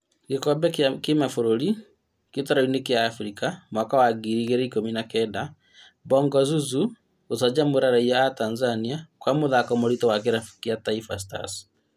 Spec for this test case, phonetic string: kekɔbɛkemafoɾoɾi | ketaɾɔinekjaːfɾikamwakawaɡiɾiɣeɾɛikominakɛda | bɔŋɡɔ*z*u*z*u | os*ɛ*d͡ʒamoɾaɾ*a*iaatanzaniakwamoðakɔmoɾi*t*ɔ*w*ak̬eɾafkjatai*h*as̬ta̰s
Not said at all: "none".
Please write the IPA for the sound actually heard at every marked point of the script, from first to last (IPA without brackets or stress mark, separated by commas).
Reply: z, z, a, a, t, w, f